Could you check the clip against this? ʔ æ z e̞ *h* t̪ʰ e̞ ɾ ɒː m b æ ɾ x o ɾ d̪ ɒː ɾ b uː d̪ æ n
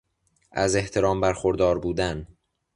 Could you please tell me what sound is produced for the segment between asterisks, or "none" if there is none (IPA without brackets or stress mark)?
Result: h